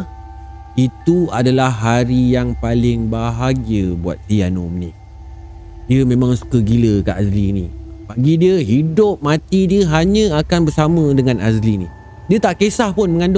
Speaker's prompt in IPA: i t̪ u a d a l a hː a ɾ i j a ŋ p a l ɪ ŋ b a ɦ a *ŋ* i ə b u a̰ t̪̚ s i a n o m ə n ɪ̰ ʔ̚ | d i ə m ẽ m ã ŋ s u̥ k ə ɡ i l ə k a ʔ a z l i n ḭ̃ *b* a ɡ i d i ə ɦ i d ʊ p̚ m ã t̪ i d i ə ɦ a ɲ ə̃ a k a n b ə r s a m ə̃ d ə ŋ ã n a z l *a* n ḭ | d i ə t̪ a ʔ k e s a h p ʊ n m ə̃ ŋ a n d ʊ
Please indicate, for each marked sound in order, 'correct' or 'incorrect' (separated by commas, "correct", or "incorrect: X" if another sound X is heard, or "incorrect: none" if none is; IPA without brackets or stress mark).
incorrect: ɡ, correct, incorrect: i